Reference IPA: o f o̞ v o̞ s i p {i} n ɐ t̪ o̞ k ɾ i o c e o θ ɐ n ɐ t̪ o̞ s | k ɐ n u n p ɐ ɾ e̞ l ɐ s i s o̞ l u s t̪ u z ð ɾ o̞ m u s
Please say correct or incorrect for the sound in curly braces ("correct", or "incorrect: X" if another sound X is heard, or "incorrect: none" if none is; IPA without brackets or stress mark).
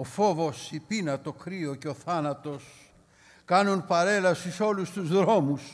correct